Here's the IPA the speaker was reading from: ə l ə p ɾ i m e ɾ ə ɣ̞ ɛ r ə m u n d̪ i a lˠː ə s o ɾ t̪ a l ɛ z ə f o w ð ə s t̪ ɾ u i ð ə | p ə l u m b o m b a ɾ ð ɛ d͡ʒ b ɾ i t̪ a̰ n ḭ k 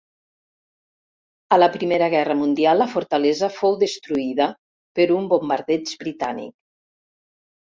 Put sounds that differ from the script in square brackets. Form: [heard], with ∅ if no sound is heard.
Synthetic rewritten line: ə l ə p ɾ i m e ɾ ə ɣ̞ ɛ r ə m u n d̪ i a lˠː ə [f] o ɾ t̪ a l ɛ z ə f o w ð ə s t̪ ɾ u i ð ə | p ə [ɾ] u m b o m b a ɾ ð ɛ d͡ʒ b ɾ i t̪ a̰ n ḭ k